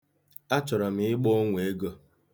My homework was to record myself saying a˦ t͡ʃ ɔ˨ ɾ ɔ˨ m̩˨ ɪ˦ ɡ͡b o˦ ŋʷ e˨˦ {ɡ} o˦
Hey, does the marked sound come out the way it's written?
yes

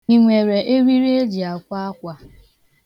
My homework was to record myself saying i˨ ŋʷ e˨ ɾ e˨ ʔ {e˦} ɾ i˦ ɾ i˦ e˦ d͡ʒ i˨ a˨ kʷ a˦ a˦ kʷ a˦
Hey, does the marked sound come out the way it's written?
yes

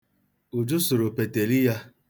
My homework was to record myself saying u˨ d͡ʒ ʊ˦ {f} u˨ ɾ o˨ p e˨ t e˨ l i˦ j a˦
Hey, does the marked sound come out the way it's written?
no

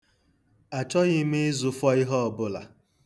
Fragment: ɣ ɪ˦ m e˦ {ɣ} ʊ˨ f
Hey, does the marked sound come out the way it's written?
no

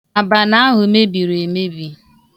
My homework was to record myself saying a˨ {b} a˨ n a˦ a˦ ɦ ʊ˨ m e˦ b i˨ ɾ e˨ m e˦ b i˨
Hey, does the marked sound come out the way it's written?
yes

